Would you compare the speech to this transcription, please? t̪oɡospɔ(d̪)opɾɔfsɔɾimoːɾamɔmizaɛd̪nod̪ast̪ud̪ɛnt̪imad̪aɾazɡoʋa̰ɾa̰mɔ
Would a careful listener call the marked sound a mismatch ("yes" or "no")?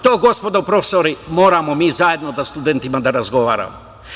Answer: no